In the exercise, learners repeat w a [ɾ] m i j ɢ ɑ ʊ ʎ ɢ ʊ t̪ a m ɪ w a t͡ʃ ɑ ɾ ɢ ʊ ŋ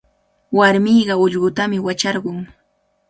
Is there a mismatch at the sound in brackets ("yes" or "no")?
no